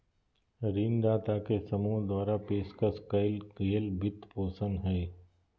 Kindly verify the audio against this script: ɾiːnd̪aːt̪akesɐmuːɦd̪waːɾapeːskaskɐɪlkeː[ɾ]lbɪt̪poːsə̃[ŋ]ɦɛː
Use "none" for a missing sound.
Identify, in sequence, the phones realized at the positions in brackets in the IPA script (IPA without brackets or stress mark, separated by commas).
none, n